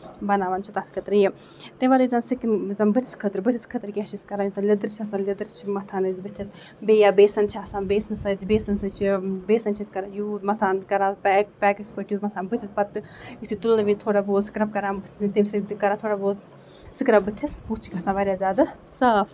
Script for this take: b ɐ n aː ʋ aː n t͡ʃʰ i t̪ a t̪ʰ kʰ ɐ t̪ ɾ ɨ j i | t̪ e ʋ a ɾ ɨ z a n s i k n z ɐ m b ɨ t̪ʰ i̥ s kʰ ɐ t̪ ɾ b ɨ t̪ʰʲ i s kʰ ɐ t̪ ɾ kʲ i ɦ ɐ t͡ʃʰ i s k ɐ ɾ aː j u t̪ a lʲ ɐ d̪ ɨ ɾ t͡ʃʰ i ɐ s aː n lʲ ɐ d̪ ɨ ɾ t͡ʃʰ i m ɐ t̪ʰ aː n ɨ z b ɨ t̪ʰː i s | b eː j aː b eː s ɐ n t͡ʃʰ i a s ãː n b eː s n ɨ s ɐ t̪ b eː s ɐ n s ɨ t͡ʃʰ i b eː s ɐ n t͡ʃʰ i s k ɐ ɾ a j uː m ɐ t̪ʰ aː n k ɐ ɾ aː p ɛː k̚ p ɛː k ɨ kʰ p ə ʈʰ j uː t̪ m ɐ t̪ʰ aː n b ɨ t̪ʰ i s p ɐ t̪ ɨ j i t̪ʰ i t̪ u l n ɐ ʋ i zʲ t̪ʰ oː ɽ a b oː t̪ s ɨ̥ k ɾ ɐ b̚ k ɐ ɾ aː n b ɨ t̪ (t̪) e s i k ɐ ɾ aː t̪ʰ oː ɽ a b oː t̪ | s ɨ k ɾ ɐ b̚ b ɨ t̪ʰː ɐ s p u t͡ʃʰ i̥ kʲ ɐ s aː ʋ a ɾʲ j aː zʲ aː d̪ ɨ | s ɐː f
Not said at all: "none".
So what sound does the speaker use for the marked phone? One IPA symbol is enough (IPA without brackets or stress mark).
t̪